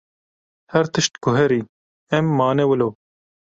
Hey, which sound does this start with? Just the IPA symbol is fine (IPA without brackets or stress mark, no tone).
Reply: h